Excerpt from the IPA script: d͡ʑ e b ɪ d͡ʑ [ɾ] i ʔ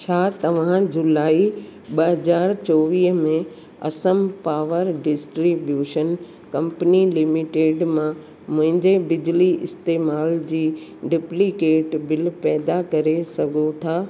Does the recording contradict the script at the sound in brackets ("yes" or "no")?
yes